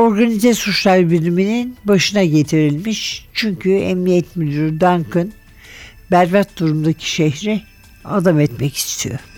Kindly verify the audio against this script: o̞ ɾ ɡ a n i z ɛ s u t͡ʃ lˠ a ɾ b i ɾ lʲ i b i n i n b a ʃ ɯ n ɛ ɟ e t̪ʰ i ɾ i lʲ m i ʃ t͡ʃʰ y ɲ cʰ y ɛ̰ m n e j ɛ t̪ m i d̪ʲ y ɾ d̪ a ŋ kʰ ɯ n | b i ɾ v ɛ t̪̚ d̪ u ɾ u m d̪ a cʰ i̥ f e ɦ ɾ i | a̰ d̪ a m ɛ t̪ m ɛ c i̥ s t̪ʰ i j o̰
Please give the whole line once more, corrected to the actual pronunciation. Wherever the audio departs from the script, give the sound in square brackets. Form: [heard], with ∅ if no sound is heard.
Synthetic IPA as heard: o̞ ɾ ɡ a n i z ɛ s u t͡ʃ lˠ a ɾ b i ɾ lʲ i [m] i n i n b a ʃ ɯ n [a] ɟ e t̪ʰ i ɾ i lʲ m i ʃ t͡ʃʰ y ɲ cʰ y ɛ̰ m n [i] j ɛ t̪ m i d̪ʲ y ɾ d̪ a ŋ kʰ ɯ n | b [æ] ɾ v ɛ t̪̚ d̪ u ɾ u m d̪ a cʰ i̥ [ʃ] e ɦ ɾ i | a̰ d̪ a m ɛ t̪ m ɛ c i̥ s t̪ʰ i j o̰